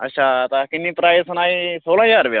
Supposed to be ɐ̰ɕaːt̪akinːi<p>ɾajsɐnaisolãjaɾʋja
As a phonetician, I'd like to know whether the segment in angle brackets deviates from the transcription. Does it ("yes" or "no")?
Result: no